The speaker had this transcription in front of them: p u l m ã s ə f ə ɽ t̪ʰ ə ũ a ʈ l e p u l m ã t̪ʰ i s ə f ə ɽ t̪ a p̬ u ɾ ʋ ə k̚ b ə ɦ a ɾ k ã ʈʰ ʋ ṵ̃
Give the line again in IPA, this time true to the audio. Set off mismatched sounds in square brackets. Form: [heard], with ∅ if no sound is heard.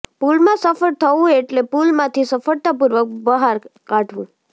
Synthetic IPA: p u l m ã s ə f ə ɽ t̪ʰ ə ũ [e] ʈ l e p u l m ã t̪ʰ i s ə f ə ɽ t̪ a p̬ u ɾ ʋ ə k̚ b ə ɦ a ɾ k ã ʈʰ ʋ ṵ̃